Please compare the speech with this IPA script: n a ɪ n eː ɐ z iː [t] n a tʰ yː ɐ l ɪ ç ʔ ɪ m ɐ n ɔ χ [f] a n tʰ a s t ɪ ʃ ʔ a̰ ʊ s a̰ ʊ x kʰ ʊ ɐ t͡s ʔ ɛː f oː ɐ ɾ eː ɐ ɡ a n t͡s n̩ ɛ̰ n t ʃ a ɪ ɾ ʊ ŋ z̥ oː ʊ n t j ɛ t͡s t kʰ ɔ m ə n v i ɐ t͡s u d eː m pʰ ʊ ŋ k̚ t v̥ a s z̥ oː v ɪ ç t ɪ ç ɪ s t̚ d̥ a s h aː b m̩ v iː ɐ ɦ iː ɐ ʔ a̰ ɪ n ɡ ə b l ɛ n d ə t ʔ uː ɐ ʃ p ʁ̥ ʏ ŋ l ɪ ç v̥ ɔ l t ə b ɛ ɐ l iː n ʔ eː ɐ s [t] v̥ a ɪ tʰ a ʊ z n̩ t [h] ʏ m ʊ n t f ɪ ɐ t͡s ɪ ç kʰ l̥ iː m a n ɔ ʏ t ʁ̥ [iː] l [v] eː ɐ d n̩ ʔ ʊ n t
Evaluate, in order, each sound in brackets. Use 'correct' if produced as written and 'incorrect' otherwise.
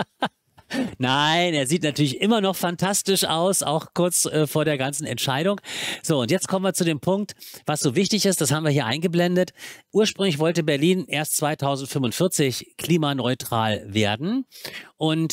correct, correct, incorrect: t͡s, incorrect: f, incorrect: aː, correct

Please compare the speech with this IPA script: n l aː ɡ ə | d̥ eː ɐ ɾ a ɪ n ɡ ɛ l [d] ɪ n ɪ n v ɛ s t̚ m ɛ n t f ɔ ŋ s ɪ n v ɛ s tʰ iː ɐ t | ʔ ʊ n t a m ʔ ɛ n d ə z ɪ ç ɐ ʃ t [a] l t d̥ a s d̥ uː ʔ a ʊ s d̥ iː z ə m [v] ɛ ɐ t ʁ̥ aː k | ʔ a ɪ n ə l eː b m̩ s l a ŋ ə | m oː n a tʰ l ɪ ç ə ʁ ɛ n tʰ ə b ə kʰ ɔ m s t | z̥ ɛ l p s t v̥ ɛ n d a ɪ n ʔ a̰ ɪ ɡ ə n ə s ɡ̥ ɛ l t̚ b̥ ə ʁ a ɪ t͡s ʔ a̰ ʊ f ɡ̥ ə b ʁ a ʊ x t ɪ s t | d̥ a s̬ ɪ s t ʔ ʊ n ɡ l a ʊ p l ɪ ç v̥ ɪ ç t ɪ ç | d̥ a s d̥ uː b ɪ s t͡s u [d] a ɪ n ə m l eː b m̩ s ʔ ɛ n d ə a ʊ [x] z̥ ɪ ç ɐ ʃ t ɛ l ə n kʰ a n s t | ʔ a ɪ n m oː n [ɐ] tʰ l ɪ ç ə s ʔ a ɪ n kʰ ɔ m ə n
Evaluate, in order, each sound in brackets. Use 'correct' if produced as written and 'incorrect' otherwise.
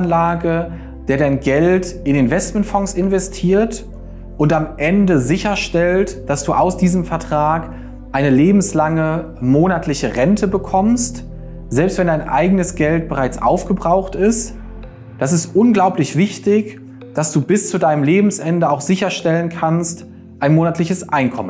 incorrect: t, incorrect: ɛ, incorrect: f, correct, correct, incorrect: a

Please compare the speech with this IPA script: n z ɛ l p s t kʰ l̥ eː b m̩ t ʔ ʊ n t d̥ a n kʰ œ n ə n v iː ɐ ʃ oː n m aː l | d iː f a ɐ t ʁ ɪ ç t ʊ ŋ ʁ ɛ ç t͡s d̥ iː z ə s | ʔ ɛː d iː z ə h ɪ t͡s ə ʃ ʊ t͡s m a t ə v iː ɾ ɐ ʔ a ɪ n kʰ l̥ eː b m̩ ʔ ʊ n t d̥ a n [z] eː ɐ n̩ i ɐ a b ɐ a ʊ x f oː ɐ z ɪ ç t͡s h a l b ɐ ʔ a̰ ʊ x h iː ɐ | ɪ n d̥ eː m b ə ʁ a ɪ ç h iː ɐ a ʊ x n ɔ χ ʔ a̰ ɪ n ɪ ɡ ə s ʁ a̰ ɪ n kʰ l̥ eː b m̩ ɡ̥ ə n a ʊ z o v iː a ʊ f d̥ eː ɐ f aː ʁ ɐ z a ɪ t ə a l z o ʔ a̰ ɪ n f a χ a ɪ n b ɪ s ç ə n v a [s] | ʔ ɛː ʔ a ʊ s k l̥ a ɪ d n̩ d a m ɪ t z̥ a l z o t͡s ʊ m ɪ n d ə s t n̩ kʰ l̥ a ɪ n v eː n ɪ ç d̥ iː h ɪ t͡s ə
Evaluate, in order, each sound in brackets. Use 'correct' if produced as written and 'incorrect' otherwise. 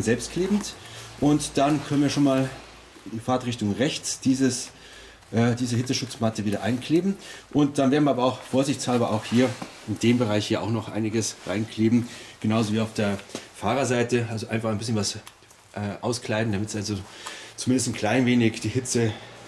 incorrect: v, correct

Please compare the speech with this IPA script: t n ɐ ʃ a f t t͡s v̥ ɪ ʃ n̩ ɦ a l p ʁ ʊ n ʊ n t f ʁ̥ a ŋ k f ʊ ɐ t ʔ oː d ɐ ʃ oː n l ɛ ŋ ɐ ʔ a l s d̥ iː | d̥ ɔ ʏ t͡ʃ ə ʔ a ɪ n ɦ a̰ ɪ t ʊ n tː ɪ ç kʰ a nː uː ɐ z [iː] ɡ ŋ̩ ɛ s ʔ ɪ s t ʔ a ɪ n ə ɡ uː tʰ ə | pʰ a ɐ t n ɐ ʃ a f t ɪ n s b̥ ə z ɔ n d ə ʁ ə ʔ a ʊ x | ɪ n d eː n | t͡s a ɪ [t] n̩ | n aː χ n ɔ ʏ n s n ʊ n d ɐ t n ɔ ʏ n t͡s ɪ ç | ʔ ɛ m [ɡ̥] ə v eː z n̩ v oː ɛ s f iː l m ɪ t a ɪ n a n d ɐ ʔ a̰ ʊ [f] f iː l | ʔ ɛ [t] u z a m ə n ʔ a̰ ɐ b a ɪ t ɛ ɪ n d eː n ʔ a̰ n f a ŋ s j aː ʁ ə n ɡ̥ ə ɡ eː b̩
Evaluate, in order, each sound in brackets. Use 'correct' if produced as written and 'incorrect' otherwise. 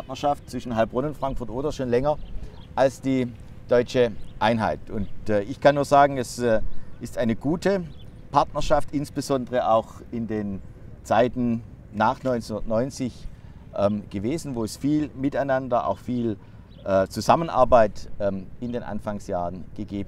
incorrect: aː, correct, correct, incorrect: x, incorrect: t͡s

